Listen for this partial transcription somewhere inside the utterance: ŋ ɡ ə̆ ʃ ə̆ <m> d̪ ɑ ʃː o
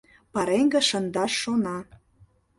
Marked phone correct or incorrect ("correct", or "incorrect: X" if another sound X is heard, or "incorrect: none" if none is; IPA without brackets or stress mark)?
incorrect: n